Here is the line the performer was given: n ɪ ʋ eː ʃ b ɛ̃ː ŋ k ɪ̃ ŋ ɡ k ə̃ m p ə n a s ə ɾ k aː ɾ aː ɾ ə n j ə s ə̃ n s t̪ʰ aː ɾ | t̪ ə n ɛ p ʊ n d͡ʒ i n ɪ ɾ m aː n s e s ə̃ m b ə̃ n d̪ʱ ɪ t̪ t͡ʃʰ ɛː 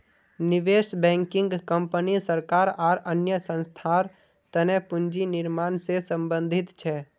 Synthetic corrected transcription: n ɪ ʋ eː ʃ b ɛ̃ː ŋ k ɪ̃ ŋ ɡ k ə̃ m p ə n i s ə ɾ k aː ɾ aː ɾ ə n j ə s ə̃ n s t̪ʰ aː ɾ | t̪ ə n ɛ p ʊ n d͡ʒ i n ɪ ɾ m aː n s e s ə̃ m b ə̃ n d̪ʱ ɪ t̪ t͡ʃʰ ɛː